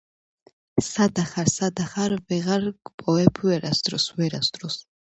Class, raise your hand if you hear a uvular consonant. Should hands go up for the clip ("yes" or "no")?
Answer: yes